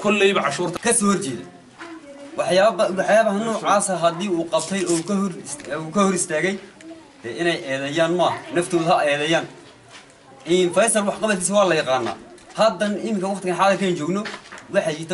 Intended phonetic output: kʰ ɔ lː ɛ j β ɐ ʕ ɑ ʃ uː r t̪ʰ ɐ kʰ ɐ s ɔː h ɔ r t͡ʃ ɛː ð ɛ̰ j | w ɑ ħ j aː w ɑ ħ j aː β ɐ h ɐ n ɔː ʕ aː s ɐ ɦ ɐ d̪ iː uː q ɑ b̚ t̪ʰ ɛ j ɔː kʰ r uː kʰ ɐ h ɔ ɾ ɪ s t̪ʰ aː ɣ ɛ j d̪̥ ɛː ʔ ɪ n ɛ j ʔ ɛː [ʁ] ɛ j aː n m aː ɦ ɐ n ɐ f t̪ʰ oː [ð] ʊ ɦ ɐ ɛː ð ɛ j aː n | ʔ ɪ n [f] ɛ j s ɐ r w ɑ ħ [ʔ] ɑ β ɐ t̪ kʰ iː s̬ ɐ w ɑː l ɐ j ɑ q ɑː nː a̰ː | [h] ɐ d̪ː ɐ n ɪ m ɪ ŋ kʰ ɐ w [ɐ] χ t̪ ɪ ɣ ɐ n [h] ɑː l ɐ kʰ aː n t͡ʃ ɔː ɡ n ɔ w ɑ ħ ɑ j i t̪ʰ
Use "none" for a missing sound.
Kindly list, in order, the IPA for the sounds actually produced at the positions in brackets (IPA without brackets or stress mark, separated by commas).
ð, ð, f, q, h, ɑ, ħ